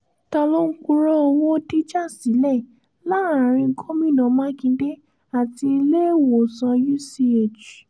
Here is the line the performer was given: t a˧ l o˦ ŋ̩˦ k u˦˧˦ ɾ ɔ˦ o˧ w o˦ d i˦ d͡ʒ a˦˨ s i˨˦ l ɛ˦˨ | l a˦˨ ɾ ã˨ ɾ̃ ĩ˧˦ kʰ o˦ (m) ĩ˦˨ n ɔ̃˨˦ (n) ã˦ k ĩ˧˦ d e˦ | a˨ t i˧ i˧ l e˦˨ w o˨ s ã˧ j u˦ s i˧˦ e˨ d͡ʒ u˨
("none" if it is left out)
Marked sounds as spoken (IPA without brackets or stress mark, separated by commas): m, m